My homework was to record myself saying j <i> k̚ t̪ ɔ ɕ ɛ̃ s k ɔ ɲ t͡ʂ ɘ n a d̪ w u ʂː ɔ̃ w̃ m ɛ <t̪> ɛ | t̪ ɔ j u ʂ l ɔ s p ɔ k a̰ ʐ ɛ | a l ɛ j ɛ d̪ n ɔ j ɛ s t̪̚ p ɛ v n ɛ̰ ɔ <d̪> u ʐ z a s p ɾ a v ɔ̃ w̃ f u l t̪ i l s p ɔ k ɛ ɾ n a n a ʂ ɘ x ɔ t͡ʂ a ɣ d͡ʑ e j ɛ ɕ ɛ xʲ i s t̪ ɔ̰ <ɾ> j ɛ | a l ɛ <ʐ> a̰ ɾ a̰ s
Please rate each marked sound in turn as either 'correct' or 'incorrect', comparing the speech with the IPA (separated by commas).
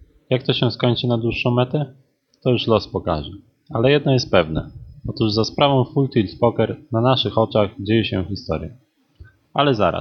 incorrect, correct, incorrect, correct, incorrect